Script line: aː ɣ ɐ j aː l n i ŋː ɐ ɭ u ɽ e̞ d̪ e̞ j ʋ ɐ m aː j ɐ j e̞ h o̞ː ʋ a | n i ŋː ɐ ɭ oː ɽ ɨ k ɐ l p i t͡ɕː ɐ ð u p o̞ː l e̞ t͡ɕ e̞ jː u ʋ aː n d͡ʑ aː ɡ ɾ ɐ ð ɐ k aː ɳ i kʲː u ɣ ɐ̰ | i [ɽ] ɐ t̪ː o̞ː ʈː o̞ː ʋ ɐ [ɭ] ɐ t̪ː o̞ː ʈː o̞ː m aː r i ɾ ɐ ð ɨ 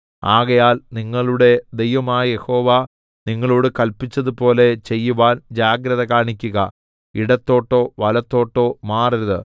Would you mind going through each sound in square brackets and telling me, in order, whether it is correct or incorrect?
correct, incorrect

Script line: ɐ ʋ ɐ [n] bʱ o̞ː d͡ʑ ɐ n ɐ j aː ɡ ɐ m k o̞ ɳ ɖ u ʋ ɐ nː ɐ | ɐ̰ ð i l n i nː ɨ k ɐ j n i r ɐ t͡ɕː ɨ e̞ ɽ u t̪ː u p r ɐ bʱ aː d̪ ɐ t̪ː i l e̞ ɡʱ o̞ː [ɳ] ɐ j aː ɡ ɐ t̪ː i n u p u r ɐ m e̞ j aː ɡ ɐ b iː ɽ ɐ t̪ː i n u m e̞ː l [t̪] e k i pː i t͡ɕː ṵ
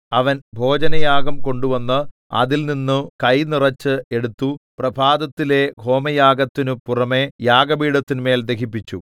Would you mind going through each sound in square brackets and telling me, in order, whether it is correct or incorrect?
correct, incorrect, incorrect

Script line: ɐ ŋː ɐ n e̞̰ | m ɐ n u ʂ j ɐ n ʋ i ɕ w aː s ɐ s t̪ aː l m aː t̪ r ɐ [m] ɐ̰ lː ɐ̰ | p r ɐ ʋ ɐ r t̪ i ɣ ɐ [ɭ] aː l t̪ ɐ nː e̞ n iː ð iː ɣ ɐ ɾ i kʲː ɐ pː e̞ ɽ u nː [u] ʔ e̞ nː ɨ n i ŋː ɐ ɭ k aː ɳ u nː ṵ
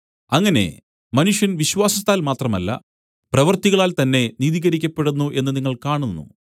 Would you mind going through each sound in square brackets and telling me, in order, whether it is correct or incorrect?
correct, correct, correct

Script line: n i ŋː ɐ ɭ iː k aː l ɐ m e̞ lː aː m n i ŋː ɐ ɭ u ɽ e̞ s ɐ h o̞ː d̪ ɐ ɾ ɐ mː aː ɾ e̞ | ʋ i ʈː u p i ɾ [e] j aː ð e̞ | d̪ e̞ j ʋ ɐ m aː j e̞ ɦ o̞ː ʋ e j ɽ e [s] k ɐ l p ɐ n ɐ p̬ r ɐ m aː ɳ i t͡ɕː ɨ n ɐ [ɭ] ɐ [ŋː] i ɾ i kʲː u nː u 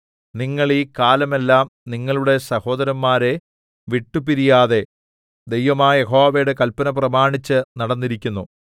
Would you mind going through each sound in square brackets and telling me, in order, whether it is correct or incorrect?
incorrect, incorrect, incorrect, incorrect

